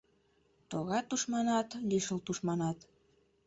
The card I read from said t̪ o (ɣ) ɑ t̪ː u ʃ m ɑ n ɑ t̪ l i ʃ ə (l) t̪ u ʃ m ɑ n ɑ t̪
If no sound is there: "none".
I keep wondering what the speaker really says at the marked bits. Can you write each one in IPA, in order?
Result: ɣ, l

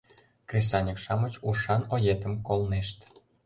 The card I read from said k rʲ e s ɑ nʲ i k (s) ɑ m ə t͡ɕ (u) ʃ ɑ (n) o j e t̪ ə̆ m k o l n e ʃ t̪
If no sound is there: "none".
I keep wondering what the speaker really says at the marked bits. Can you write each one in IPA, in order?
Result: ʃ, u, n

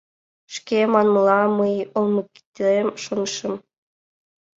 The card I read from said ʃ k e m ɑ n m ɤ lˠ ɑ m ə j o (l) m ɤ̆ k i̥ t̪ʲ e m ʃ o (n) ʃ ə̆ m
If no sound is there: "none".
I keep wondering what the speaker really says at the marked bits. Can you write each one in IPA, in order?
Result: l, n

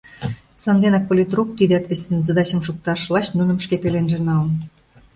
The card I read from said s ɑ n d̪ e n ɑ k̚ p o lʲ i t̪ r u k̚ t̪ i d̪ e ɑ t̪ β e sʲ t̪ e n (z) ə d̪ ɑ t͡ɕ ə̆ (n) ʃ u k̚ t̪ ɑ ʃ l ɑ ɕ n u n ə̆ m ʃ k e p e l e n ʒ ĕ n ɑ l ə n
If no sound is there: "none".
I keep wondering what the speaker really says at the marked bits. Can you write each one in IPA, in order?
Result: z, m

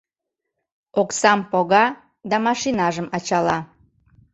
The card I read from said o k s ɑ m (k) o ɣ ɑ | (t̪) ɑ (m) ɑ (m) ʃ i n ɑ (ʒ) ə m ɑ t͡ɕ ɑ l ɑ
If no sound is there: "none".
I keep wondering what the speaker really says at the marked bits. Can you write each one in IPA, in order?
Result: p, d̪, m, none, ʒ

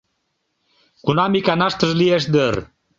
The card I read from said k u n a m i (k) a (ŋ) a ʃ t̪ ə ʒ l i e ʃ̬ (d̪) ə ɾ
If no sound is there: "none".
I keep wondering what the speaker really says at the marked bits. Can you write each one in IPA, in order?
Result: k, n, d̪

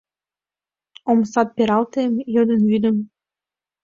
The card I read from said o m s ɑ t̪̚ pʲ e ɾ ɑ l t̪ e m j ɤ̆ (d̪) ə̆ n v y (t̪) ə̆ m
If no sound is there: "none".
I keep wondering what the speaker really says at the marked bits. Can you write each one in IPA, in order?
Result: d̪, d̪

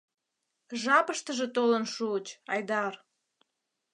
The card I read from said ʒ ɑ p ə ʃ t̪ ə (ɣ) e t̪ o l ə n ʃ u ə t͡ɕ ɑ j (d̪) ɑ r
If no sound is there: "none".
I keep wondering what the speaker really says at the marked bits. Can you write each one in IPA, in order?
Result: ʒ, d̪

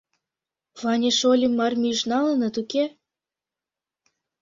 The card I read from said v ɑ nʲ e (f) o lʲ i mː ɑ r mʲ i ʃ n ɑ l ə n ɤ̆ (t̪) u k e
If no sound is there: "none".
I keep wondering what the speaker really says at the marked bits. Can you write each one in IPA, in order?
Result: ʃ, t̪

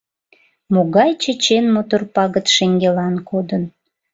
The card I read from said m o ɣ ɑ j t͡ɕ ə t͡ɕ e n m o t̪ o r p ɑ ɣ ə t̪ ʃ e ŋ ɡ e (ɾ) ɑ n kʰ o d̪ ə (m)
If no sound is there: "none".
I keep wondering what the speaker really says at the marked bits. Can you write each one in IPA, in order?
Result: l, n

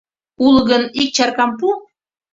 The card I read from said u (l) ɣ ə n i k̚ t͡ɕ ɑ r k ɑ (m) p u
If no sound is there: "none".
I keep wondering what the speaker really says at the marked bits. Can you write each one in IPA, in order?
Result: l, m

